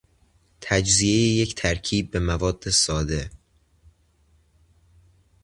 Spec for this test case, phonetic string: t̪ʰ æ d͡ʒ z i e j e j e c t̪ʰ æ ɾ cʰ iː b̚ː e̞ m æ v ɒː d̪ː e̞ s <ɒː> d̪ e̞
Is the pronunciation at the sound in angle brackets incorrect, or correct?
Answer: correct